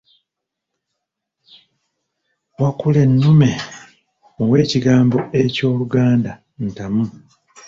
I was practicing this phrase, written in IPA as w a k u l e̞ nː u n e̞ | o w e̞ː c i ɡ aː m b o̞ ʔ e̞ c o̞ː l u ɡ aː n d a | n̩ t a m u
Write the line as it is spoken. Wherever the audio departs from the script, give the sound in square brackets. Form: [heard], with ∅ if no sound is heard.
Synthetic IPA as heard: w a k u l e̞ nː u [m] e̞ | o w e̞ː c i ɡ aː m b o̞ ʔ e̞ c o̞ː l u ɡ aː n d a | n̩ t a m u

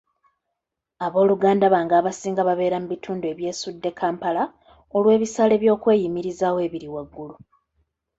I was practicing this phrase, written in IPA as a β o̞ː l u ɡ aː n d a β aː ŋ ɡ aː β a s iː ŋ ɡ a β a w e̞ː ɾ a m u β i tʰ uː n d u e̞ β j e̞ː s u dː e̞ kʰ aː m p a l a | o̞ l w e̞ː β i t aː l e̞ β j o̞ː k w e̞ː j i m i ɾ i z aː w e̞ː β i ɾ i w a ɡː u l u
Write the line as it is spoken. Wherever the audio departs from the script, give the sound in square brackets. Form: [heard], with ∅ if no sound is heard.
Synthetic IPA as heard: a β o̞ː l u ɡ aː n d a β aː ŋ ɡ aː β a s iː ŋ ɡ a β a [β] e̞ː ɾ a m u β i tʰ uː n d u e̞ β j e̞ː s u dː e̞ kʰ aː m p a l a | o̞ l w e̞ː β i [s] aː l e̞ β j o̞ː k w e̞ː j i m i ɾ i z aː w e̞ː β i ɾ i w a ɡː u l u

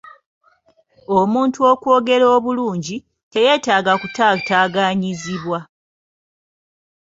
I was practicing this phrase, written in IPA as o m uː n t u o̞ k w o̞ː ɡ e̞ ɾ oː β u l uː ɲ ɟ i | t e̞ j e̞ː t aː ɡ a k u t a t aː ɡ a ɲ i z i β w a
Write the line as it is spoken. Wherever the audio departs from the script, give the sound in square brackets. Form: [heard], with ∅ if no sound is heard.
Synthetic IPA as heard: o m uː n t u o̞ k w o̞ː ɡ e̞ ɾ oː β u l uː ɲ ɟ i | t e̞ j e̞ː t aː ɡ a k u t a t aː ɡ a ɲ i z i β w a

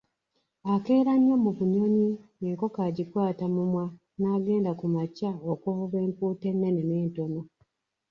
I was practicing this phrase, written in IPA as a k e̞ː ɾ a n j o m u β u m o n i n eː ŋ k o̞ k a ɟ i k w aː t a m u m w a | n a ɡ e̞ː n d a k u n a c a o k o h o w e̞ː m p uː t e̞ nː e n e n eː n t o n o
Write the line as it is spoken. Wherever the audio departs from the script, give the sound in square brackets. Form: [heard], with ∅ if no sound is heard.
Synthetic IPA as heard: a k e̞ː ɾ a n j o m u β u [ɲ] o [ɲ] i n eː ŋ k o̞ k a ɟ i k w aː t a m u m w a | n a ɡ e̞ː n d a k u [m] a c a o k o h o [β] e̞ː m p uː t e̞ nː e n e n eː n t o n o

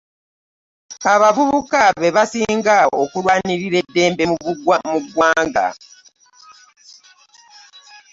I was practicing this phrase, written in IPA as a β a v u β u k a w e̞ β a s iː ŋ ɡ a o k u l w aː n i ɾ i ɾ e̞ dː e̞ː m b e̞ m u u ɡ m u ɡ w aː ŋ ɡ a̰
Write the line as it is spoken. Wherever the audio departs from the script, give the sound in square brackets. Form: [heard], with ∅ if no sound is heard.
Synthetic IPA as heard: a β a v u β u k a [β] e̞ β a s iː ŋ ɡ a o k u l w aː n i ɾ i ɾ e̞ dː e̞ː m b e̞ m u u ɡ m u ɡ w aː ŋ ɡ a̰

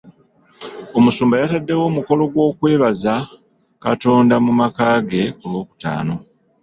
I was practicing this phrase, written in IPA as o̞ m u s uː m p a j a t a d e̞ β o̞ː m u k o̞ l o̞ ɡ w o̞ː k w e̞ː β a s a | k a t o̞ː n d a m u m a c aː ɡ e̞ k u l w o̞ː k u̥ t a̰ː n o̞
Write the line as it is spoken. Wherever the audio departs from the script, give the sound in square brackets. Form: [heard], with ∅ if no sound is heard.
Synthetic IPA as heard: o̞ m u s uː m [b] a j a t a [dː] e̞ [w] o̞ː m u k o̞ l o̞ ɡ w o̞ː k w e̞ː β a [z] a | k a t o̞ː n d a m u m a [k] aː ɡ e̞ k u l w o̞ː k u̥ t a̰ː n o̞

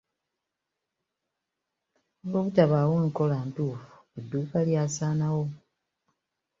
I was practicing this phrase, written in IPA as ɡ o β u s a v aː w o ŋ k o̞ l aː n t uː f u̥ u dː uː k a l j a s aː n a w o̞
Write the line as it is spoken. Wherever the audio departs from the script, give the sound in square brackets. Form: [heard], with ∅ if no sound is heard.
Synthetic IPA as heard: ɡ o β u [t] a [β] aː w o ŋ k o̞ l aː n t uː f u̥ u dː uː k a l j a s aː n a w o̞

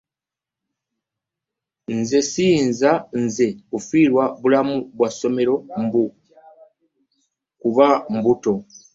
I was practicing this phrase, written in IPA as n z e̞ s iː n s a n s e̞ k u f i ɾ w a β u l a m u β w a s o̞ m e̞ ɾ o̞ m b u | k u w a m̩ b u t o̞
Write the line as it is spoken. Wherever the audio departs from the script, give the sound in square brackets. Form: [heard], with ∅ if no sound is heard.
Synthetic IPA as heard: n z e̞ s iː n [z] a n [z] e̞ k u f i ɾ w a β u l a m u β w a s o̞ m e̞ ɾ o̞ m b u | k u [β] a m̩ b u t o̞

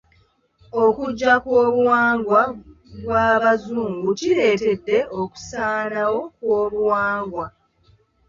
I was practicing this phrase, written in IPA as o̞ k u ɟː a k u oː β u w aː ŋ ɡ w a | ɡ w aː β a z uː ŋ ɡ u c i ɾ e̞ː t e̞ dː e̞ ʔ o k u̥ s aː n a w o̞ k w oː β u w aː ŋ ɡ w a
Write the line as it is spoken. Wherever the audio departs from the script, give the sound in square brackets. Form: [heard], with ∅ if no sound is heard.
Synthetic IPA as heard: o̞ k u ɟː a k [w] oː β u w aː ŋ ɡ w a | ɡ w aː β a z uː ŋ ɡ u c i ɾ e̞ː t e̞ dː e̞ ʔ o k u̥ s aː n a w o̞ k w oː β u w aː ŋ ɡ w a

